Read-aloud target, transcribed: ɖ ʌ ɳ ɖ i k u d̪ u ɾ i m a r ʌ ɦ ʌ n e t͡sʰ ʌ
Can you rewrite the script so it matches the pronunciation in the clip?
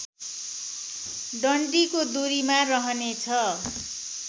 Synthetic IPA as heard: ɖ ʌ ɳ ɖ i k o d̪ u ɾ i m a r ʌ ɦ ʌ n e t͡sʰ ʌ